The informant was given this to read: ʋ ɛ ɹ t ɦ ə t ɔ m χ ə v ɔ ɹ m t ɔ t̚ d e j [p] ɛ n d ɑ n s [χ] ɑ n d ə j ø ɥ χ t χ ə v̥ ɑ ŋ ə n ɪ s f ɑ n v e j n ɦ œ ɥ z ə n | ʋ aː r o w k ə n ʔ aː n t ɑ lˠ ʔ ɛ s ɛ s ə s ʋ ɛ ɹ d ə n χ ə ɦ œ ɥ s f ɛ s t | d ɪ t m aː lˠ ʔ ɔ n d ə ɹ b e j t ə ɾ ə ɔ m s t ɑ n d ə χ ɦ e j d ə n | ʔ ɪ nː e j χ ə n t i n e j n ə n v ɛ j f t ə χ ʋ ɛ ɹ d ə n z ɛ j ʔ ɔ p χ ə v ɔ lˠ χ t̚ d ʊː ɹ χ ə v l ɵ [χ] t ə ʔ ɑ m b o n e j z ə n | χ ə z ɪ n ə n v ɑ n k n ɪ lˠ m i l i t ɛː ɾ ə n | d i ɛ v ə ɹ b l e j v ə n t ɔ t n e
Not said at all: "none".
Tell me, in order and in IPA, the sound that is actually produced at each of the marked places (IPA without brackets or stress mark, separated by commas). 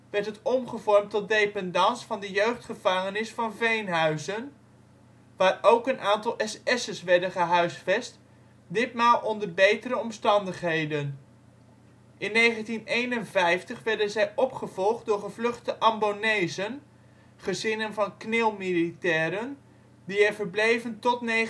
p, f, χ